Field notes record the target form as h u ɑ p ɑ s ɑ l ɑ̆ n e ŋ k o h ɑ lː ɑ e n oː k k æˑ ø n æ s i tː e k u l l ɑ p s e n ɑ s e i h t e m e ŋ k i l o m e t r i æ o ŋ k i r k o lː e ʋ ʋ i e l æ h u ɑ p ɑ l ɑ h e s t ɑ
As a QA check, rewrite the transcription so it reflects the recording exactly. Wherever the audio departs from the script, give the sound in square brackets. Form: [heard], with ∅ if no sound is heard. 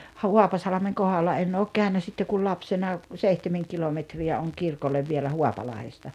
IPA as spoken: h u ɑ p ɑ s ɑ l ɑ̆ [m] e ŋ k o h ɑ lː ɑ e n oː k k æˑ ø n æ s i tː e k u l l ɑ p s e n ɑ s e i h t e m e ŋ k i l o m e t r i æ o ŋ k i r k o lː e ʋ ʋ i e l æ h u ɑ p ɑ l ɑ h e s t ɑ